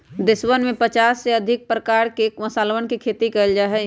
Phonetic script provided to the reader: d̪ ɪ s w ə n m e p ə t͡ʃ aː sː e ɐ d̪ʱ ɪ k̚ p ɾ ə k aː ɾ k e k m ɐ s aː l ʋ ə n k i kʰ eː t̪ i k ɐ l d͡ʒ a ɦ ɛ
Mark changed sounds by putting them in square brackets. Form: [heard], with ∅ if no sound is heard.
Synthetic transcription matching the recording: d̪ ɪ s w ə n m [ẽ] p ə t͡ʃ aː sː e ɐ d̪ʱ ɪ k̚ p ɾ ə k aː ɾ k e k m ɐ s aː l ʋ ə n k i kʰ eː t̪ i k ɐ l d͡ʒ a ɦ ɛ